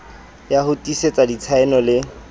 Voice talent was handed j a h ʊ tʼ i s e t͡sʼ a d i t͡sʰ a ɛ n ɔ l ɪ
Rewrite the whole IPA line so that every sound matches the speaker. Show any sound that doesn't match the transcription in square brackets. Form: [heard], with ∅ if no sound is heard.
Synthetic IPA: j a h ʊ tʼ i s e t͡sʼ a d i t͡sʰ a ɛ n ɔ l ɪ